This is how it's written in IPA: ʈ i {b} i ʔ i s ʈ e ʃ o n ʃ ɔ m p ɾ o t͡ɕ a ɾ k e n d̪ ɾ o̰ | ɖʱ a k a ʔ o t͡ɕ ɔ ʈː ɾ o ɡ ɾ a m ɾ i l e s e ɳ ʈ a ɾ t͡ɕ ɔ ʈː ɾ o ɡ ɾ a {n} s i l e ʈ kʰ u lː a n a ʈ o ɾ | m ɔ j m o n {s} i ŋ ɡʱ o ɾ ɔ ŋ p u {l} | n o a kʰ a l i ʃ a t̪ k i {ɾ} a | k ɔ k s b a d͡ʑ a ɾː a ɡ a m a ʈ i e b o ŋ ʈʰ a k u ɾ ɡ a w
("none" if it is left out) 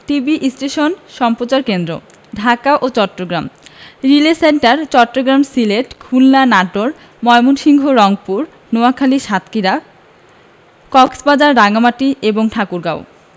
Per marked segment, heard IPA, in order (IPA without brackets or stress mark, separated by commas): b, m, ʃ, ɾ, ɾ